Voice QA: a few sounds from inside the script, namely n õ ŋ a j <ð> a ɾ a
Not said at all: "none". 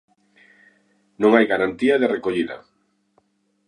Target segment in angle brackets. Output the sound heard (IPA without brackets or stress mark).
ɣ